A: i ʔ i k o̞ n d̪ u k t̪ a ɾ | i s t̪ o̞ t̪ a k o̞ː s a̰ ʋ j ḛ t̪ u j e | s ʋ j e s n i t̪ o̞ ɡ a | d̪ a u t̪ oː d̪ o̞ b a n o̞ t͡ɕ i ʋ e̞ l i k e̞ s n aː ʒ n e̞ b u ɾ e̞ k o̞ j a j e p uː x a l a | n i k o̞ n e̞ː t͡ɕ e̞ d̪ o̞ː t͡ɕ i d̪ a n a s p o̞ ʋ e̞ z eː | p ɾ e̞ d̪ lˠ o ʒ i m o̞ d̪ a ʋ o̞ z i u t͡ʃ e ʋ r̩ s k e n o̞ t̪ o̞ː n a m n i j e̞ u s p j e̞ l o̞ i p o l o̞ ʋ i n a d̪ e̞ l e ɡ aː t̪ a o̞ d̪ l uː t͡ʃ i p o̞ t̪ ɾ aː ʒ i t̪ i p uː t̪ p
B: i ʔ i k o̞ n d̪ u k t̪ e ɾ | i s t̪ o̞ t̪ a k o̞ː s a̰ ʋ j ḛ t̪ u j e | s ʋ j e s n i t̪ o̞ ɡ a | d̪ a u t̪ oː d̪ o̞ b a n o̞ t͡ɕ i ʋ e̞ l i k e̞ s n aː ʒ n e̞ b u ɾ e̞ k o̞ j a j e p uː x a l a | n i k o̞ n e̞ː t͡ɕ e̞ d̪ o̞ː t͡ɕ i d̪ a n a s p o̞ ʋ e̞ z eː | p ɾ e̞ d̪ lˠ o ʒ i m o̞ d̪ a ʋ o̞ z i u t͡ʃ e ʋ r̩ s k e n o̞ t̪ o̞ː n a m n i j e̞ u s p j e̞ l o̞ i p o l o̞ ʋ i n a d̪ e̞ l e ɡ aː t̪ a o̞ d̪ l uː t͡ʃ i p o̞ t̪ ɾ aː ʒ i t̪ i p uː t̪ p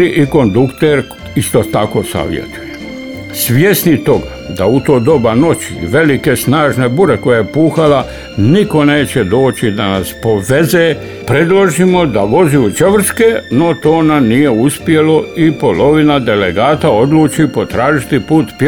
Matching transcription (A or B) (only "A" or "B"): B